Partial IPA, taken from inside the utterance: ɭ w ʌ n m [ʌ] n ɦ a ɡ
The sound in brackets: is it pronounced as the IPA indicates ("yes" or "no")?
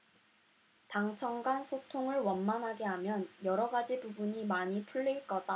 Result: no